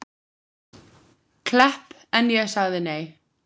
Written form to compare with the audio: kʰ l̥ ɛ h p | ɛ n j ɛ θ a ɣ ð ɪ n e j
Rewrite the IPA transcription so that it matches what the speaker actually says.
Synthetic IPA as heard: kʰ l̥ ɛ h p | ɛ n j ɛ s a ɣ ð ɪ n e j

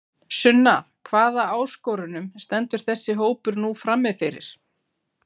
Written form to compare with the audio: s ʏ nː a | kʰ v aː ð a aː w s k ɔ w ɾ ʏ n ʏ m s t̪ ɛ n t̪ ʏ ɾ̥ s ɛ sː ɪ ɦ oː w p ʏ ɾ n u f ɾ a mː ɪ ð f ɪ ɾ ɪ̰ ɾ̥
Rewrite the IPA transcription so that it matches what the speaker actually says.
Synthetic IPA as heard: s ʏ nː a | kʰ v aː ð a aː w s k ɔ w ɾ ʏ n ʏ m s t̪ ɛ n t̪ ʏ ɾ̥ θ ɛ sː ɪ ɦ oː w p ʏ ɾ n u f ɾ a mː ɪ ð f ɪ ɾ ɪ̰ ɾ̥

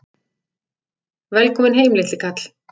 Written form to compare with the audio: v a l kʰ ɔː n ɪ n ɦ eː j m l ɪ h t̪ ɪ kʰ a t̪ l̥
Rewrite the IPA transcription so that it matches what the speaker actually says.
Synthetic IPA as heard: v ɛ l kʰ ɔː m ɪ n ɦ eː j m l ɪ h t̪ ɪ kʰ a t̪ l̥

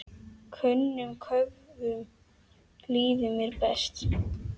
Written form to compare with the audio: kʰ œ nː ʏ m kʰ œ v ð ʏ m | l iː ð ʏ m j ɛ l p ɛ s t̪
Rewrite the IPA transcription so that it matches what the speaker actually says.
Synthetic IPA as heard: kʰ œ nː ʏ m kʰ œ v ð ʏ m | l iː ð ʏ m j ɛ ɾ p ɛ s t̪

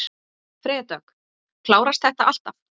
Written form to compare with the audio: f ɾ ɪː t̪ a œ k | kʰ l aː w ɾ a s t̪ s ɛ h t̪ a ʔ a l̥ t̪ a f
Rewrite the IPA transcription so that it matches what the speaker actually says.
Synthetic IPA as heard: f ɾ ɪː t̪ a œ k | kʰ l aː w ɾ a s t̪ θ ɛ h t̪ a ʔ a l̥ t̪ a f

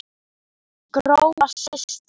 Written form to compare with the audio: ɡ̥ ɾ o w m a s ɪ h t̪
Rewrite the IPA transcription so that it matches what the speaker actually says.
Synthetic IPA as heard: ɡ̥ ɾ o w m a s ɪ s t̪

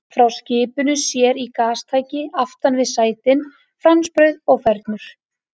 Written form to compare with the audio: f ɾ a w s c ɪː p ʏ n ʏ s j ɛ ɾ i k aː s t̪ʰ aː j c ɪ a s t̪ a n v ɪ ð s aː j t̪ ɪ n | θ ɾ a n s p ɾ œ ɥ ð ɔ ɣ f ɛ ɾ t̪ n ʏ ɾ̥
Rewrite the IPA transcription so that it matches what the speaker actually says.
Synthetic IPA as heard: f ɾ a w s c ɪː p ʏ n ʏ s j ɛ ɾ i k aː s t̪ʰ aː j c ɪ a f t̪ a n v ɪ ð s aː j t̪ ɪ n | f ɾ a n s p ɾ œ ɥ ð ɔ ɣ f ɛ ɾ t̪ n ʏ ɾ̥

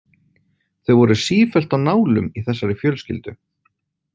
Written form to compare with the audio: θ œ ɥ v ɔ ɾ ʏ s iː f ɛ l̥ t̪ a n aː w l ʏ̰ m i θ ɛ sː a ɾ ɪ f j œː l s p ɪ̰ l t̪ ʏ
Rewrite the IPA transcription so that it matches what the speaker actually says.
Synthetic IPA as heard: θ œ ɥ v ɔ ɾ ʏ s iː f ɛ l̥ t̪ a n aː w l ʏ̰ m i θ ɛ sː a ɾ ɪ f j œː l s c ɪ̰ l t̪ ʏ

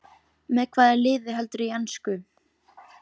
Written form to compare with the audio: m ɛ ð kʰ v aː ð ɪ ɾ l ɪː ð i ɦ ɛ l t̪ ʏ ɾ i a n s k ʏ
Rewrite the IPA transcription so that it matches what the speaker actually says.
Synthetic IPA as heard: m ɛ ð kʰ v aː ð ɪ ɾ l ɪː ð ɪ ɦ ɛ l t̪ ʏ ɾ i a n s k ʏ

